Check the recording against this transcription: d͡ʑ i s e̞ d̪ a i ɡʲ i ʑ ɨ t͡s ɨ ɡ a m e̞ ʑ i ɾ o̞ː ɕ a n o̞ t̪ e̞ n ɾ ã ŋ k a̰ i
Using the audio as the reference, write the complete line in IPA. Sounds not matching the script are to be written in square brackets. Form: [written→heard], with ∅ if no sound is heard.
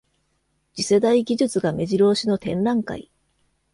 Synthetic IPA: d͡ʑ i s e̞ d̪ a i ɡʲ i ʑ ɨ t͡s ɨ ɡ a m e̞ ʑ i ɾ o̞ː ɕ [a→i] n o̞ t̪ [e̞→ẽ̞] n ɾ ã ŋ k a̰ i